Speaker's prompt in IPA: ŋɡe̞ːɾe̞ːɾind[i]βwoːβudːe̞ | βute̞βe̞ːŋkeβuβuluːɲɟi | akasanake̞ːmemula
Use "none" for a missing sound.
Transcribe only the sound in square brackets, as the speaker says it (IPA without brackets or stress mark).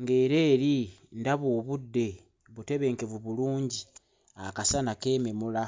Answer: a